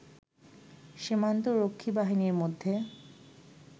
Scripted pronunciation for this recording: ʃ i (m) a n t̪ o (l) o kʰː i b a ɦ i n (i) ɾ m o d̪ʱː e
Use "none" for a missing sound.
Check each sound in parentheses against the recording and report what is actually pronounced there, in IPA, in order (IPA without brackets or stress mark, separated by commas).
m, ɾ, i